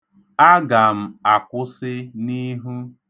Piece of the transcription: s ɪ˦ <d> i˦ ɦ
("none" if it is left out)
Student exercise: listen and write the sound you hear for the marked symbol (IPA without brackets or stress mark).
n